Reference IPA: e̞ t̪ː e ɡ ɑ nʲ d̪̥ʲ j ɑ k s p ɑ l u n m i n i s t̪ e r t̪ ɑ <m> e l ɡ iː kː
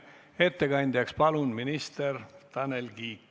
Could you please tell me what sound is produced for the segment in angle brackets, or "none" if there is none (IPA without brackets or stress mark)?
n